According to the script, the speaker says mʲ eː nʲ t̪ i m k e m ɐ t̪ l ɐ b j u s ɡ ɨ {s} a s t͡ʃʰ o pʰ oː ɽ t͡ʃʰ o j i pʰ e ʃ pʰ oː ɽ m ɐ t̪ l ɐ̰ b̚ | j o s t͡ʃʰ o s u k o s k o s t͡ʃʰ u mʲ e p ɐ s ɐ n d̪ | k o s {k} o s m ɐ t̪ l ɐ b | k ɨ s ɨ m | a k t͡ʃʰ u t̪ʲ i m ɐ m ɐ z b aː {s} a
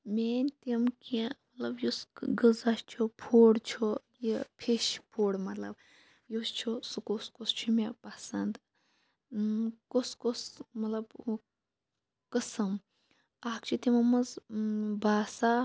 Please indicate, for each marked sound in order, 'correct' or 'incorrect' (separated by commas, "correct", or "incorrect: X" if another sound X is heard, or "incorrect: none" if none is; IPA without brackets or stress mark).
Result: incorrect: z, correct, correct